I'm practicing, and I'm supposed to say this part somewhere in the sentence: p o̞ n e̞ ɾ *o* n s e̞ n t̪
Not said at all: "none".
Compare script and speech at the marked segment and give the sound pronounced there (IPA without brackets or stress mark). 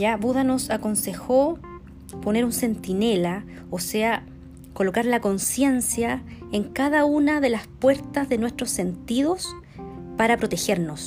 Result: u